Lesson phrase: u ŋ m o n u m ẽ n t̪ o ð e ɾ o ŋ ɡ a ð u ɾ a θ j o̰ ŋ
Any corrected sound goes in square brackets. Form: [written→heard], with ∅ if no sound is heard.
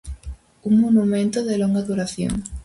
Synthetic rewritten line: u ŋ m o n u m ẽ n t̪ o ð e [ɾ→l] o ŋ ɡ a ð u ɾ a θ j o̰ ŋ